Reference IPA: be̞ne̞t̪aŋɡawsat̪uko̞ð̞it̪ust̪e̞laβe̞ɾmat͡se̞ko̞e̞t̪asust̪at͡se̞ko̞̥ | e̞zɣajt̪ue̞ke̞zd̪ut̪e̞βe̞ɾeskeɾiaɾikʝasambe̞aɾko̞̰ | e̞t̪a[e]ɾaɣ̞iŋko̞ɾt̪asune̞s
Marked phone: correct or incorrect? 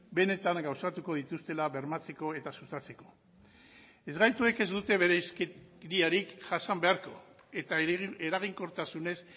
correct